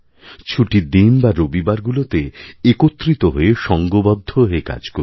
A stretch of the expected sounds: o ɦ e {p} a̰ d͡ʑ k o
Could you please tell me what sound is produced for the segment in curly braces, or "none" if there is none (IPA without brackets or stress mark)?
k